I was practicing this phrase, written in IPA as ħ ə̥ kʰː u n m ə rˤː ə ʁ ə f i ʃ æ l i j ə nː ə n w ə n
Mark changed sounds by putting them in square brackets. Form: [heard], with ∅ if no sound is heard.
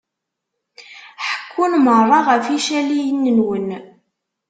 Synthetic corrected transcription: ħ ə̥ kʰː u n m ə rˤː [ɑ] ʁ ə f i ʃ æ l i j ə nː ə n w ə n